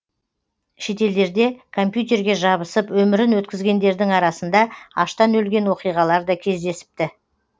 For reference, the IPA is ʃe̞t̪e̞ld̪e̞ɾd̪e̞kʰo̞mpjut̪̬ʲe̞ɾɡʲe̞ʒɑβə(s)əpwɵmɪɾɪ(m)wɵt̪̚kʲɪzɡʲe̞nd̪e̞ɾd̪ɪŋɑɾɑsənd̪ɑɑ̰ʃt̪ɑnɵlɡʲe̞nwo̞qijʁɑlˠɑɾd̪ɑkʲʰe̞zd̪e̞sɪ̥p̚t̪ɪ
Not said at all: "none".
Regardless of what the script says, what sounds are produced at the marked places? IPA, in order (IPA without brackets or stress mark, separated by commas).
s, n